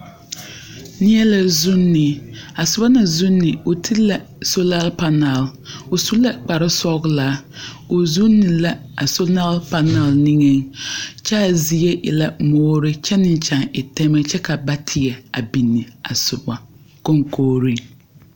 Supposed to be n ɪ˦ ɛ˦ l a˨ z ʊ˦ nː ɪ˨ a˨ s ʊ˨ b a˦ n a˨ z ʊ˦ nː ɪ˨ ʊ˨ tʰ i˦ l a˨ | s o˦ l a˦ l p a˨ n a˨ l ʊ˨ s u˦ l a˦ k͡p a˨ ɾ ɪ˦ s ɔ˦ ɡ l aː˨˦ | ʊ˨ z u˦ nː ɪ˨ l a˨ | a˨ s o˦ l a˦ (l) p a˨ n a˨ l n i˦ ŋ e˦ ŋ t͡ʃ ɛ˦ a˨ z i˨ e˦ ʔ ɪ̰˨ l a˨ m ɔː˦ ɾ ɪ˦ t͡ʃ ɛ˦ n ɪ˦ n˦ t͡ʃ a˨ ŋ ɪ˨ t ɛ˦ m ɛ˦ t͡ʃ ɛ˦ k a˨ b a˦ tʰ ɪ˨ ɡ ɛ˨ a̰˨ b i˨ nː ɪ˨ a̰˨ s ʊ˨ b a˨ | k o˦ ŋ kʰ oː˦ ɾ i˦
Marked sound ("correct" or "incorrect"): correct